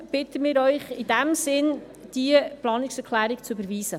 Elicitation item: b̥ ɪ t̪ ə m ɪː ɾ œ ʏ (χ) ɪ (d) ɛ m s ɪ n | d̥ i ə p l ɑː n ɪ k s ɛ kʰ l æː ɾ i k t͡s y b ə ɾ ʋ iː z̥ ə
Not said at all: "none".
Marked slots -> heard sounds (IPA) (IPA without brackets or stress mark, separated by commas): χ, d